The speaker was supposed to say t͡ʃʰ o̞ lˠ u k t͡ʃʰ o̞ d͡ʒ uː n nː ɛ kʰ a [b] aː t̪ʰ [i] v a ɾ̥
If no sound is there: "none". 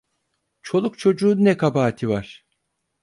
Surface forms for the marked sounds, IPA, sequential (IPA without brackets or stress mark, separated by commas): b, i